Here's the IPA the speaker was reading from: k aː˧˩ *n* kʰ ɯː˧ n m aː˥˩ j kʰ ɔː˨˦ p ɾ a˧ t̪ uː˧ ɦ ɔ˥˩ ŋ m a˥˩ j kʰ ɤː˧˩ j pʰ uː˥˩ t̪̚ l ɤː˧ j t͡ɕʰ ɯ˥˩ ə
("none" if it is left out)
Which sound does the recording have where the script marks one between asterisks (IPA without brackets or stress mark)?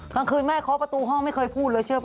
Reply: ŋ